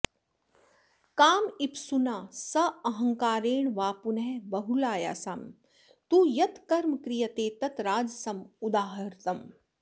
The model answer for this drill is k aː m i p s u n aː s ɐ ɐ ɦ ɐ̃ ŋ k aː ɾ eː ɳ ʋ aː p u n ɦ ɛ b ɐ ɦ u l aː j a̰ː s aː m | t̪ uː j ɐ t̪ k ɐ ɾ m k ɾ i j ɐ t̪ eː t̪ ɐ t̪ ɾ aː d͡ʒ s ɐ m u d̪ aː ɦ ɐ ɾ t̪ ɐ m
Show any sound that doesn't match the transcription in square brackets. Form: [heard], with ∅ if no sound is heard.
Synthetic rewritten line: k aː m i p s u n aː s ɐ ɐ ɦ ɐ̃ ŋ k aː ɾ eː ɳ ʋ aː p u n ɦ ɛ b ɐ ɦ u l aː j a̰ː s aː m | t̪ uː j ɐ t̪ k ɐ ɾ m k ɾ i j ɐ t̪ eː t̪ ɐ t̪ ɾ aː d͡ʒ s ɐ m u d̪ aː ɦ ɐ ɾ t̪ ɐ m

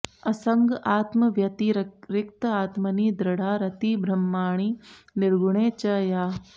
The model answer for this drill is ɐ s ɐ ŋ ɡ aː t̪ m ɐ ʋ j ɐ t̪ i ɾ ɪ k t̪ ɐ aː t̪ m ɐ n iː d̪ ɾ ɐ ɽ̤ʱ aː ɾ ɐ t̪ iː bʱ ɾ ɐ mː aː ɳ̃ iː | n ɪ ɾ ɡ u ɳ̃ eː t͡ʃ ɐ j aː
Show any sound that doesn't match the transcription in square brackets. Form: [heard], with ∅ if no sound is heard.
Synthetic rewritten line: ɐ s ɐ ŋ ɡ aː t̪ m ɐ ʋ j ɐ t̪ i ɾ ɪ k t̪ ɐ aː t̪ m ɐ n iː d̪ ɾ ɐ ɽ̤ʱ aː ɾ ɐ t̪ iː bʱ ɾ ɐ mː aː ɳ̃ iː | n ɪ ɾ ɡ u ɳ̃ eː t͡ʃ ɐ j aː

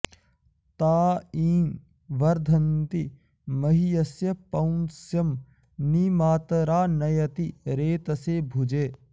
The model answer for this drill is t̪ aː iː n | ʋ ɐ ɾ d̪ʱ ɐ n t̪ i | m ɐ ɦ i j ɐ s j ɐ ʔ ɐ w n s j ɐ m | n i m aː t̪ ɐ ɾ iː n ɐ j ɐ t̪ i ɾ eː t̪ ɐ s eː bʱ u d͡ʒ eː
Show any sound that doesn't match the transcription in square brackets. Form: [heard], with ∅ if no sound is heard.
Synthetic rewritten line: t̪ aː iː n | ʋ ɐ ɾ d̪ʱ ɐ n t̪ i | m ɐ ɦ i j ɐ s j ɐ [p] ɐ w n s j ɐ m | n i m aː t̪ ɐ ɾ [aː] n ɐ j ɐ t̪ i ɾ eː t̪ ɐ s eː bʱ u d͡ʒ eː

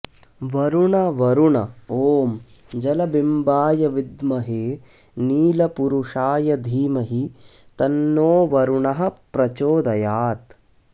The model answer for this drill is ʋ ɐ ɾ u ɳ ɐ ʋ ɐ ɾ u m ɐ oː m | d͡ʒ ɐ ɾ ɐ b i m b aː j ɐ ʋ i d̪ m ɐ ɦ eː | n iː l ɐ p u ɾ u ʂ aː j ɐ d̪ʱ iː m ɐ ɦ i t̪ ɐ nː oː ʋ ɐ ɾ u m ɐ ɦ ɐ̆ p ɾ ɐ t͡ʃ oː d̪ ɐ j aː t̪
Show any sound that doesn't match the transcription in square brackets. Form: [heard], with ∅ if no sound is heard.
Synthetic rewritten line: ʋ ɐ ɾ u ɳ ɐ ʋ ɐ ɾ u [ɳ] ɐ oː m | d͡ʒ ɐ [l] ɐ b i m b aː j ɐ ʋ i d̪ m ɐ ɦ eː | n iː l ɐ p u ɾ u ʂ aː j ɐ d̪ʱ iː m ɐ ɦ i t̪ ɐ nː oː ʋ ɐ ɾ u [ɳ] ɐ ɦ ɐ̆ p ɾ ɐ t͡ʃ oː d̪ ɐ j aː t̪

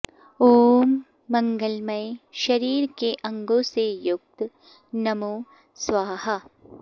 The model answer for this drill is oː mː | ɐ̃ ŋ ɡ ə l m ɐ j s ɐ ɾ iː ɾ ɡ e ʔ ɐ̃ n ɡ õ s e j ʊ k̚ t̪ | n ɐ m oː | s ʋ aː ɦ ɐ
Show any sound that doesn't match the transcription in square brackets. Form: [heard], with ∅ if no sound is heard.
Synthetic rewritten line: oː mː | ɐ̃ ŋ ɡ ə l m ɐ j [ʃ] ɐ ɾ iː ɾ [k] e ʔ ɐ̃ [ŋ] ɡ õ s e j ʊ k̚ t̪ | n ɐ m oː | s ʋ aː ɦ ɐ

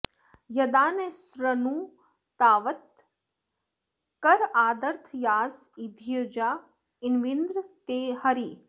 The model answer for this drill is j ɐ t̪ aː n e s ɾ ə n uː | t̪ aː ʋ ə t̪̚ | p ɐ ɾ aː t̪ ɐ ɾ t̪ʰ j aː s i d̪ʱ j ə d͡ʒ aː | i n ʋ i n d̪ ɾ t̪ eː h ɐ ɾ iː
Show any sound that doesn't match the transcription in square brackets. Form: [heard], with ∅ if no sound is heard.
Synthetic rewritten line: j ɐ [d̪] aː n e s ɾ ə n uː | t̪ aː ʋ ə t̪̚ | [k] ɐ ɾ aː [d̪] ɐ ɾ t̪ʰ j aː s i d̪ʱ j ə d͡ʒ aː | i n ʋ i n d̪ ɾ t̪ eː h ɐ ɾ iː

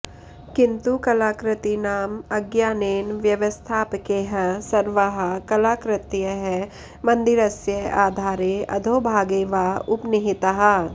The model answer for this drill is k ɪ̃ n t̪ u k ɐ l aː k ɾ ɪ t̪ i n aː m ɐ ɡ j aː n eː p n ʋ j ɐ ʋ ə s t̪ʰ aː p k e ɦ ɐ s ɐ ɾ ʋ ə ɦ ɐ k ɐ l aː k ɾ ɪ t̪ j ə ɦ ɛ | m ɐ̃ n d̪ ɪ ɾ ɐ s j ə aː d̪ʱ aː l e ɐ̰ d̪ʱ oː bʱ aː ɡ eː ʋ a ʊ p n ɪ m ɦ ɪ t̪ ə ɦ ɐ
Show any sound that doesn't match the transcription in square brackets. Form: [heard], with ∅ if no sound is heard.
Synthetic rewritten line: k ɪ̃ n t̪ u k ɐ l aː k ɾ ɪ t̪ i n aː m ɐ ɡ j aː n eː [∅] n ʋ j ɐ ʋ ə s t̪ʰ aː p k e ɦ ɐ s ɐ ɾ ʋ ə ɦ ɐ k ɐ l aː k ɾ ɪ t̪ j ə ɦ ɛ | m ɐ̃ n d̪ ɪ ɾ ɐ s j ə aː d̪ʱ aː [ɾ] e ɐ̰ d̪ʱ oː bʱ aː ɡ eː ʋ a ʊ p n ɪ [∅] ɦ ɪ t̪ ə ɦ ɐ

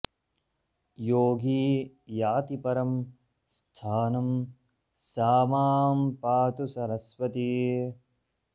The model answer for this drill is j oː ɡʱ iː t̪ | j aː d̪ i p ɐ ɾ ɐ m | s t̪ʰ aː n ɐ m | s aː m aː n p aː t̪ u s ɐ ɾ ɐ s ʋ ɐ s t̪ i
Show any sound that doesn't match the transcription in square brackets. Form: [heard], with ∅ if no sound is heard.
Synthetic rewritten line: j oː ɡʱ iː [∅] | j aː [t̪] i p ɐ ɾ ɐ m | s t̪ʰ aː n ɐ m | s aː m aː [m] p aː t̪ u s ɐ ɾ ɐ s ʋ ɐ [∅] t̪ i

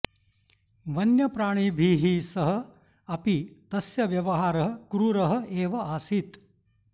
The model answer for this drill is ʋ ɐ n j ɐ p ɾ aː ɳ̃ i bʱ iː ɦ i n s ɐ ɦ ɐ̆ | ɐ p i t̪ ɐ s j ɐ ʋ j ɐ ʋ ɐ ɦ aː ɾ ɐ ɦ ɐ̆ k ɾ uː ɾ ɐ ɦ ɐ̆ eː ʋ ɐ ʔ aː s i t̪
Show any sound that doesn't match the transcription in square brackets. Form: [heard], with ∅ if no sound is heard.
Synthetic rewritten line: ʋ ɐ n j ɐ p ɾ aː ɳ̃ i bʱ iː ɦ i [∅] s ɐ ɦ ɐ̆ | ɐ p i t̪ ɐ s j ɐ ʋ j ɐ ʋ ɐ ɦ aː ɾ ɐ ɦ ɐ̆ k ɾ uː ɾ ɐ ɦ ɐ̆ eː ʋ ɐ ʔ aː s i t̪

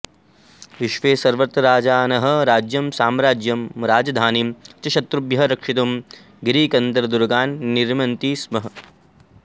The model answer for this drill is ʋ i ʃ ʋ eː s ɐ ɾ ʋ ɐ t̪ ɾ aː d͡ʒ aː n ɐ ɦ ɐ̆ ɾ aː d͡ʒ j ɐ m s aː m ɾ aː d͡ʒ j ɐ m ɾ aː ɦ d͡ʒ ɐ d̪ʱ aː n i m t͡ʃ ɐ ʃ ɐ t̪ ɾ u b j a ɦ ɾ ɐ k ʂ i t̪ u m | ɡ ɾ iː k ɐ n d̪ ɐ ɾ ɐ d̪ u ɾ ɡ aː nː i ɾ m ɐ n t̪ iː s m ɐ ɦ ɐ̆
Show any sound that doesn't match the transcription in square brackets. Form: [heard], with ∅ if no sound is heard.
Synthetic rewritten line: ʋ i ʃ ʋ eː s ɐ ɾ ʋ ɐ t̪ ɾ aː d͡ʒ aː n ɐ ɦ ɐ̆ ɾ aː d͡ʒ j ɐ m s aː m ɾ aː d͡ʒ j ɐ m ɾ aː [∅] d͡ʒ ɐ d̪ʱ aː n i m t͡ʃ ɐ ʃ ɐ t̪ ɾ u b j [ɐ] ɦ ɾ ɐ k ʂ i t̪ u m | ɡ ɾ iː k ɐ n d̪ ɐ ɾ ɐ d̪ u ɾ ɡ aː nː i ɾ m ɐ n t̪ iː s m ɐ ɦ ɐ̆

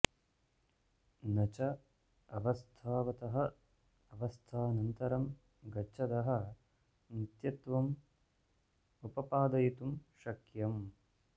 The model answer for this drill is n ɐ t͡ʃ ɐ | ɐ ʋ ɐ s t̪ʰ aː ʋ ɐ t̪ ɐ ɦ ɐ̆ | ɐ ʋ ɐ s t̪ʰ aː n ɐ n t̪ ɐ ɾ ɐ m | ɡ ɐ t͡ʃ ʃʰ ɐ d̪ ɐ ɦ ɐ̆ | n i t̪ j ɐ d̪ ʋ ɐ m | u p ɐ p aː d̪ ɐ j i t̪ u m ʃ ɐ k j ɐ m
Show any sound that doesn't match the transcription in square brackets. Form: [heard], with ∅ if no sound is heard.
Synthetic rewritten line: n ɐ t͡ʃ ɐ | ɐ ʋ ɐ s t̪ʰ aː ʋ ɐ t̪ ɐ ɦ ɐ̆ | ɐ ʋ ɐ s t̪ʰ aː n ɐ n t̪ ɐ ɾ ɐ m | ɡ ɐ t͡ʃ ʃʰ ɐ d̪ ɐ ɦ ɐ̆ | n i t̪ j ɐ [t̪] ʋ ɐ m | u p ɐ p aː d̪ ɐ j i t̪ u m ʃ ɐ k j ɐ m

